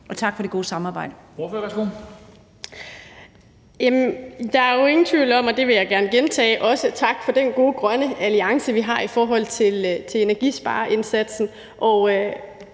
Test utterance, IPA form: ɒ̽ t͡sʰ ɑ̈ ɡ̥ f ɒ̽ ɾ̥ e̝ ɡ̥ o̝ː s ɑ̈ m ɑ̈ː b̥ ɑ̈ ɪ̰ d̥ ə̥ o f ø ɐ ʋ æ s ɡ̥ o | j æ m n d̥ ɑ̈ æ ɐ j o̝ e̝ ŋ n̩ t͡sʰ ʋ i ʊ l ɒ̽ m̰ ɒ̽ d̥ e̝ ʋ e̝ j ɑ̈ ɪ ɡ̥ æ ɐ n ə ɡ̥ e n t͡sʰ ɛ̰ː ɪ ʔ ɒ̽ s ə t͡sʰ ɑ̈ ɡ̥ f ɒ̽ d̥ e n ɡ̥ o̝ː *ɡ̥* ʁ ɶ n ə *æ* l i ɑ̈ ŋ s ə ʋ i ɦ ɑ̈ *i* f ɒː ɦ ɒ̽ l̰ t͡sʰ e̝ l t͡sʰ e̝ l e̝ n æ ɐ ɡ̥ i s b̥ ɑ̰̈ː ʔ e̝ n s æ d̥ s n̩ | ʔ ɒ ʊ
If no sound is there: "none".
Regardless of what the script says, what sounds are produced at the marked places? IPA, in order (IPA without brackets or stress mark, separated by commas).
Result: ɡ̥, æ, i